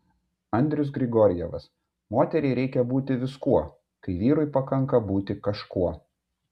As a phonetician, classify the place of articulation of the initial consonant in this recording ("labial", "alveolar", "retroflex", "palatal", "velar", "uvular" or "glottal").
alveolar